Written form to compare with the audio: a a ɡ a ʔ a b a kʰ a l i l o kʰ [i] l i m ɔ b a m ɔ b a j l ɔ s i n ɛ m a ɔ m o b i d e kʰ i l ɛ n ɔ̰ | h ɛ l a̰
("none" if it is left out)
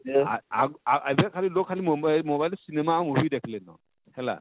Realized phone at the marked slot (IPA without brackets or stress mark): a